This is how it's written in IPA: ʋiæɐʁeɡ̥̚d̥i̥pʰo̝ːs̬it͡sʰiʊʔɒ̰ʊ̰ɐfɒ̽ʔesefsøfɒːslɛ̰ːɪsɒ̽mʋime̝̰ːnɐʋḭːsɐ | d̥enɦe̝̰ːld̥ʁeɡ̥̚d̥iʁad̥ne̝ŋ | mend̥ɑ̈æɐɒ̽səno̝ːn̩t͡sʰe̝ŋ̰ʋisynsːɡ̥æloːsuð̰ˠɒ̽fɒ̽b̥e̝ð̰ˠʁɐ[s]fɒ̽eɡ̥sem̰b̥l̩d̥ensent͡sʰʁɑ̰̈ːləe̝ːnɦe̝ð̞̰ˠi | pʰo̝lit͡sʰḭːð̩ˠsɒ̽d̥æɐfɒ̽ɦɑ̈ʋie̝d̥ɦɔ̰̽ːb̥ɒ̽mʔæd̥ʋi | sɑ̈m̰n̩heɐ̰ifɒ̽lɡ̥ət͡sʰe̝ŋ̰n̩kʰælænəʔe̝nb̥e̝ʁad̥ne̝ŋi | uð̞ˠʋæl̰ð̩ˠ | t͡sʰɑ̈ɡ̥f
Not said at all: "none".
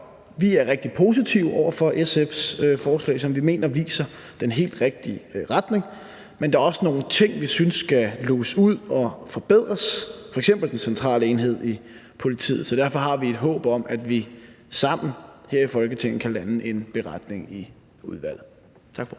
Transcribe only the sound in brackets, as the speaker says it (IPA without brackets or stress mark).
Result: s